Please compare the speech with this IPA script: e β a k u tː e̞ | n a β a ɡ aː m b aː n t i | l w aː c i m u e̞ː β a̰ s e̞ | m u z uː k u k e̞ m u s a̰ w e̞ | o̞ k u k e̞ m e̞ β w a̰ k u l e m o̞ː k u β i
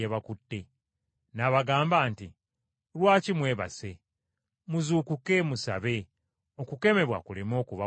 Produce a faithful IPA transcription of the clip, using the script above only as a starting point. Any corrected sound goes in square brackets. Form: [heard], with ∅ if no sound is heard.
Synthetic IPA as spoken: e β a k u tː e̞ | n a β a ɡ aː m b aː n t i | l w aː c i m [w] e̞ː β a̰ s e̞ | m u z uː k u k e̞ m u s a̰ [β] e̞ | o̞ k u k e̞ m e̞ β w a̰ k u l e m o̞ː k u β [a]